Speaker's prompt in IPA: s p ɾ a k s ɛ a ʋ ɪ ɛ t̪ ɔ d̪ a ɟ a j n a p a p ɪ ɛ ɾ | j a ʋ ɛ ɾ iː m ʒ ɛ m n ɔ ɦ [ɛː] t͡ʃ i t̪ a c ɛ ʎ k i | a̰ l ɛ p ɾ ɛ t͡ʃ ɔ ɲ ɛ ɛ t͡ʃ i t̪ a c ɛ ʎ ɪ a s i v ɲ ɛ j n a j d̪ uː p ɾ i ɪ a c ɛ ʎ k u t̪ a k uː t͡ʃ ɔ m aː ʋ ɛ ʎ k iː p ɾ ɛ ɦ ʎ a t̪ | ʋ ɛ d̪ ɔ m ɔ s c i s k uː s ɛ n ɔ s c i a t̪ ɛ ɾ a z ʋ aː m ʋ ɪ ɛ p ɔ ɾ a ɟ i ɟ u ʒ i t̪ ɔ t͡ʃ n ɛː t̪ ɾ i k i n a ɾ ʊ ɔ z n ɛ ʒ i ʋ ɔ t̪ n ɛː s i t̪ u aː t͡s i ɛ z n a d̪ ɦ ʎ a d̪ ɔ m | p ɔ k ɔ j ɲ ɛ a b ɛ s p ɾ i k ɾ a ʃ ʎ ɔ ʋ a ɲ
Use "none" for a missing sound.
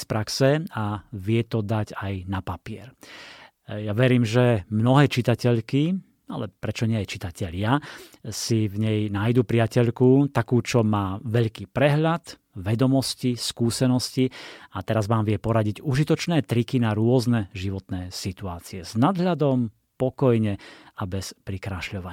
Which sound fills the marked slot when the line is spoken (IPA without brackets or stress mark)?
ɛː